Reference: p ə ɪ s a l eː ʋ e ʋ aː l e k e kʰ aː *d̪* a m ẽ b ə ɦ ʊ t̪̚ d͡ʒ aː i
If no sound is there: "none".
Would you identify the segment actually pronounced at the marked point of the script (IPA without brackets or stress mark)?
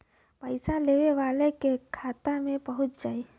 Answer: t̪